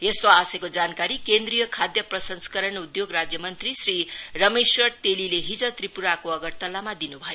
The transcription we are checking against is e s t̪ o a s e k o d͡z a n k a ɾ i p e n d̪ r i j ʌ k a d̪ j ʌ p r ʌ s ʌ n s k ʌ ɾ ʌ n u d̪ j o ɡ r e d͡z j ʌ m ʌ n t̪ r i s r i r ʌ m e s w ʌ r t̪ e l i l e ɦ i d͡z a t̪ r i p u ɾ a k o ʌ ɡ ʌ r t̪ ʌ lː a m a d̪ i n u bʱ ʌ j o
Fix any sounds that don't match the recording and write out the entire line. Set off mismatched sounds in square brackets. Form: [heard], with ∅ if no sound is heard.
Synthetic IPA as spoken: e s t̪ o a s e k o d͡z a n k a ɾ i [k] e n d̪ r i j ʌ [kʰ] a d̪ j ʌ p r ʌ s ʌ n s k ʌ ɾ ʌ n u d̪ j o ɡ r [a] d͡z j ʌ m ʌ n t̪ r i s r i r ʌ m e s w ʌ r t̪ e l i l e ɦ i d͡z [ʌ] t̪ r i p u ɾ a k o ʌ ɡ ʌ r t̪ ʌ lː a m a d̪ i n u bʱ ʌ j o